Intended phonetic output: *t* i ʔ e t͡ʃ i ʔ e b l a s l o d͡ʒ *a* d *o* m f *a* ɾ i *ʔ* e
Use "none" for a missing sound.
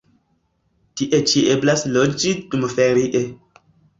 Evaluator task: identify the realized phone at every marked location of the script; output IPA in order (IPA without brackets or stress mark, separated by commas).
t, i, u, e, ʔ